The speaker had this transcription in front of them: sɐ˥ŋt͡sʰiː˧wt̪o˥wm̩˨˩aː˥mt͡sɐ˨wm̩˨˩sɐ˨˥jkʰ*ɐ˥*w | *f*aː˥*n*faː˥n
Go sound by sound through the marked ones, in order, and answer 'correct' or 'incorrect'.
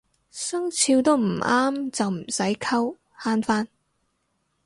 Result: correct, incorrect: h, correct

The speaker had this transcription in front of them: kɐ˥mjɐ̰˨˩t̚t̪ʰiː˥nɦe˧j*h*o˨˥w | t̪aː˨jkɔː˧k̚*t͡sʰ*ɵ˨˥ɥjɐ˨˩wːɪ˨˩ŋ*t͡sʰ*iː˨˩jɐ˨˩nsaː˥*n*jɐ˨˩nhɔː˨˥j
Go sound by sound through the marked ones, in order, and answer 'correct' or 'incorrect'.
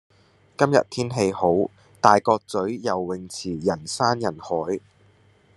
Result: correct, incorrect: t͡s, correct, correct

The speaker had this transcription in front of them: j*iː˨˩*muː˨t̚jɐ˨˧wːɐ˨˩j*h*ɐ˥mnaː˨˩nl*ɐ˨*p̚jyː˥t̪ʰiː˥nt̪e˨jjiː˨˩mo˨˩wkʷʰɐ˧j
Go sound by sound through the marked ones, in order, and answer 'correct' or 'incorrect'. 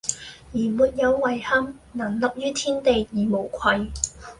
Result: correct, correct, correct

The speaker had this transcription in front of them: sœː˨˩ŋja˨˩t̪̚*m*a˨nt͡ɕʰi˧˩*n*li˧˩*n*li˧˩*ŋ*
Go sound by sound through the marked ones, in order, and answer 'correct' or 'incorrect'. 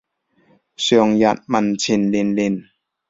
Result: correct, correct, correct, incorrect: n

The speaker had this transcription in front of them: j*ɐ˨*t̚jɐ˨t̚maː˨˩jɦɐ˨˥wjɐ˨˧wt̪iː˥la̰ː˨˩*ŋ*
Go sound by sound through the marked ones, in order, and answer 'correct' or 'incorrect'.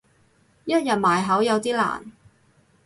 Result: incorrect: ɐ˥, incorrect: n

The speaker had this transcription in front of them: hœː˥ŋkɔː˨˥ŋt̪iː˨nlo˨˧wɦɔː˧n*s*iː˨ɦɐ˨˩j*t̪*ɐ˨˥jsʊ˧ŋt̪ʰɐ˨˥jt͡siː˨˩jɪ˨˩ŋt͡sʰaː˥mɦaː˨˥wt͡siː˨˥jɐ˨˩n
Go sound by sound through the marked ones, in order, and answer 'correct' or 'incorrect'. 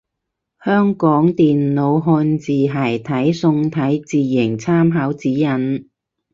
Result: incorrect: t͡s, incorrect: t̪ʰ

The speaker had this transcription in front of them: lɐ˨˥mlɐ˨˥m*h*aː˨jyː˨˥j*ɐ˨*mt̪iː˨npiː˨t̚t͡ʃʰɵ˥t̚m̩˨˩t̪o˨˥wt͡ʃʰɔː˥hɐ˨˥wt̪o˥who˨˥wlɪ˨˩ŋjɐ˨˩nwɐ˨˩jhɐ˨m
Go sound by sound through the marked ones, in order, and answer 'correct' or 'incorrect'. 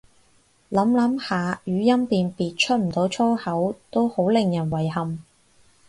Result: correct, incorrect: ɐ˥

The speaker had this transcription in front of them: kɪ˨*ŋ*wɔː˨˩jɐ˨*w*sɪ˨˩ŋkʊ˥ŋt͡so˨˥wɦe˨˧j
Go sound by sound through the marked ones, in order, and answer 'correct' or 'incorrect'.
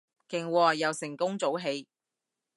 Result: correct, correct

